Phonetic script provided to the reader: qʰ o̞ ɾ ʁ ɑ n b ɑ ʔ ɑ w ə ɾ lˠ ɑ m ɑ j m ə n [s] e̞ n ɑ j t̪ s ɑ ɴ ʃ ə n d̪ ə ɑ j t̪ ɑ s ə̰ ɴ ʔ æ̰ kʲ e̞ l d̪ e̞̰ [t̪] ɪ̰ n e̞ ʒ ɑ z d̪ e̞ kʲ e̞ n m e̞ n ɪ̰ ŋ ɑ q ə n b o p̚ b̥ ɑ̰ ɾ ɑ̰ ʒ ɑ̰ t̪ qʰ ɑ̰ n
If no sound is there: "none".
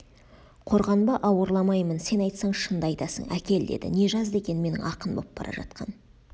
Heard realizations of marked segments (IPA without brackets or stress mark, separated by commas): s, d̪